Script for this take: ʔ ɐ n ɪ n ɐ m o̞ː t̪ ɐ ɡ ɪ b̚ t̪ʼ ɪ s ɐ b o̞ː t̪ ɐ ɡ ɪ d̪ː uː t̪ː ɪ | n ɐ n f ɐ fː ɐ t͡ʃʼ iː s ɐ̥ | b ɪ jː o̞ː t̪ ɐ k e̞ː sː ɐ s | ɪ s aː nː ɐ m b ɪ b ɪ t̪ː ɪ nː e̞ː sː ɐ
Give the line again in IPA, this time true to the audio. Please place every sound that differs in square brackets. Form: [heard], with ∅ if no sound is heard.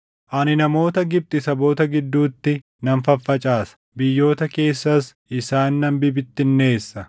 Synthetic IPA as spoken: ʔ ɐ n ɪ n ɐ m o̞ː t̪ ɐ ɡ ɪ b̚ t̪ʼ ɪ s ɐ b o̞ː t̪ ɐ ɡ ɪ d̪ː uː t̪ː ɪ | n ɐ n f ɐ fː ɐ t͡ʃʼ [aː] s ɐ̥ | b ɪ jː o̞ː t̪ ɐ k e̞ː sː ɐ s | ɪ s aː nː ɐ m b ɪ b ɪ t̪ː ɪ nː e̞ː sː ɐ